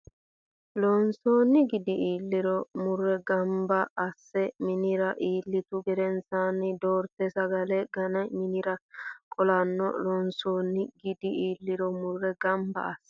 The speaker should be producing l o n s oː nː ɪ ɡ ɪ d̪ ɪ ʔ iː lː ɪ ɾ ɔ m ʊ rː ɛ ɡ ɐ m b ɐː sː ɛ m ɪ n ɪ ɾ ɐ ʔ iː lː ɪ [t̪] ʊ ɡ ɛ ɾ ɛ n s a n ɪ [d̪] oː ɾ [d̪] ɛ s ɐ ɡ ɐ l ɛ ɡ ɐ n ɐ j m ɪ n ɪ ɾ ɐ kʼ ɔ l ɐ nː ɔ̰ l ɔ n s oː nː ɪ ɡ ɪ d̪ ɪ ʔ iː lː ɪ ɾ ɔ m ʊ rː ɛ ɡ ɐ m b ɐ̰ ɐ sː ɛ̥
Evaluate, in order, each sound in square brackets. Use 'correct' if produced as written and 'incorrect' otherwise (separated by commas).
correct, correct, incorrect